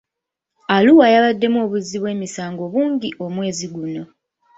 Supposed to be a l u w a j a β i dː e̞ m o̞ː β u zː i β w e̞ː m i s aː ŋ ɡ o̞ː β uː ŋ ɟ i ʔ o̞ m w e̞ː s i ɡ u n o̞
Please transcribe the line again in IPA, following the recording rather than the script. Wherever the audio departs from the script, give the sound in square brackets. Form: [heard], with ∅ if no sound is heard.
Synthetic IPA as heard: a l u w a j a β [a] dː e̞ m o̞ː β u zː i β w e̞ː m i s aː ŋ ɡ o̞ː β uː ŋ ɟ i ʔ o̞ m w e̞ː [z] i ɡ u n o̞